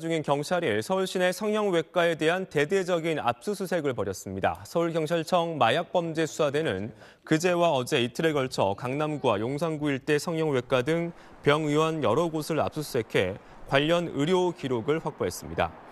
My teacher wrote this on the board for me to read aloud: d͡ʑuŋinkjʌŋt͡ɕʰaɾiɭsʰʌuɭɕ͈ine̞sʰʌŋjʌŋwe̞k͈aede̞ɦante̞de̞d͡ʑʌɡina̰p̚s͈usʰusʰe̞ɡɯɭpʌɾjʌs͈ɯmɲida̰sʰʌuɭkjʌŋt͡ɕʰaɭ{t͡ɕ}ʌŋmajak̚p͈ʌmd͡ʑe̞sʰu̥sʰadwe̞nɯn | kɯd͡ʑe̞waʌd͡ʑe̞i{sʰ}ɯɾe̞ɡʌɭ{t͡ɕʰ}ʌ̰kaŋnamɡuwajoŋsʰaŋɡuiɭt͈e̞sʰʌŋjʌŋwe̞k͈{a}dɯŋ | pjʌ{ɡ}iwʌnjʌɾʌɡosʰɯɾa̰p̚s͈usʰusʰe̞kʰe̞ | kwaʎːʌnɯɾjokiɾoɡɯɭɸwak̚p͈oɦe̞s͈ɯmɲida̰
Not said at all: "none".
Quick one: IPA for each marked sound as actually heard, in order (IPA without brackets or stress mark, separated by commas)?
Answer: t͡ɕʰ, tʰ, t͡ɕʰ, a, ŋ